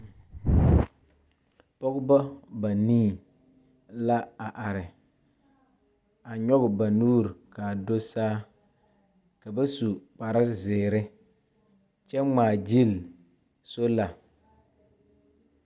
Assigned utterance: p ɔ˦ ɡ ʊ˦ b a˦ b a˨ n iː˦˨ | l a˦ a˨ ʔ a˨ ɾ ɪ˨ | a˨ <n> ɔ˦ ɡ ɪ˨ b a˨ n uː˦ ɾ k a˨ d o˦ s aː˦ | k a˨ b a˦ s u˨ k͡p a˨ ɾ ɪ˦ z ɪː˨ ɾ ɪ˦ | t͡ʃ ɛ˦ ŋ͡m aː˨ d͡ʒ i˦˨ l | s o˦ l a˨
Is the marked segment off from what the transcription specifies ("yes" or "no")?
yes